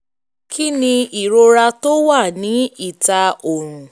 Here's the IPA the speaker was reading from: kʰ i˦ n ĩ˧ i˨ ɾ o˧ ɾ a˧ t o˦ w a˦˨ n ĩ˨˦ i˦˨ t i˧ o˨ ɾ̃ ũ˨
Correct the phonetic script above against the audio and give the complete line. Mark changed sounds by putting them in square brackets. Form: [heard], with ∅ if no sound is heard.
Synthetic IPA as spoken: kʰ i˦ n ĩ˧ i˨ ɾ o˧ ɾ a˧ t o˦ w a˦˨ n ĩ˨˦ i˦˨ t [a˧] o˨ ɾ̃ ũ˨